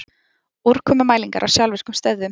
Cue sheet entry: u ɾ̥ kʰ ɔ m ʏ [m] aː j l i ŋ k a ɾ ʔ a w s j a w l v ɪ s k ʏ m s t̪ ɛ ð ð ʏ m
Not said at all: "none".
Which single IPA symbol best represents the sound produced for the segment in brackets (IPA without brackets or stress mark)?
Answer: m